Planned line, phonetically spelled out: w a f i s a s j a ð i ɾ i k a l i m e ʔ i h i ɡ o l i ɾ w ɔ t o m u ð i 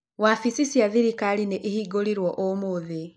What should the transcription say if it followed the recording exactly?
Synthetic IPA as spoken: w a f i s i s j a ð i ɾ i k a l i n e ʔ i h i ɡ o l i ɾ w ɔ ʔ o m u ð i